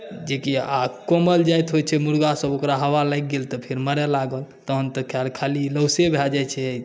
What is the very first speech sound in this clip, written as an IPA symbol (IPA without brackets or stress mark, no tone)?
d͡ʒ